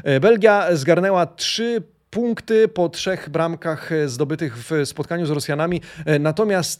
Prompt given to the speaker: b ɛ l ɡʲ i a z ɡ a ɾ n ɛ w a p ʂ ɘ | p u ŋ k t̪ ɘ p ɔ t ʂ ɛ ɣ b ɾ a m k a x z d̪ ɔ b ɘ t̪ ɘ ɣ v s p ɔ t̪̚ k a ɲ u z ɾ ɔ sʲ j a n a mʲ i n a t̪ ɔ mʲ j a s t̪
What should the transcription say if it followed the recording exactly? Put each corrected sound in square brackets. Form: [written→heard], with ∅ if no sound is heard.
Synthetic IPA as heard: b ɛ l ɡʲ [i→j] a z ɡ a ɾ n ɛ w a [p→t] ʂ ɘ | p u ŋ k t̪ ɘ p ɔ t ʂ ɛ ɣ b ɾ a m k a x z d̪ ɔ b ɘ t̪ ɘ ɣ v s p ɔ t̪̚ k a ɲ u z ɾ ɔ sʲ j a n a mʲ i n a t̪ ɔ mʲ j a s t̪